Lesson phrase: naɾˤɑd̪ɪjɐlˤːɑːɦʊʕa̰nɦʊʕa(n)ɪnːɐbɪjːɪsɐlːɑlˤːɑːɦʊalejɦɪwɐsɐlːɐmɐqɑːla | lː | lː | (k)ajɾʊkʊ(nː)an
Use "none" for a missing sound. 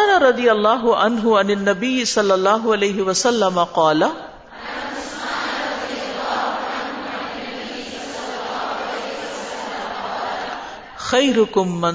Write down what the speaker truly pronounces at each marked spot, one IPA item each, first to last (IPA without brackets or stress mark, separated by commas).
n, x, mː